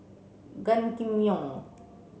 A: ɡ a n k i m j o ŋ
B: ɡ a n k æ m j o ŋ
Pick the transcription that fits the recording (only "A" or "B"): A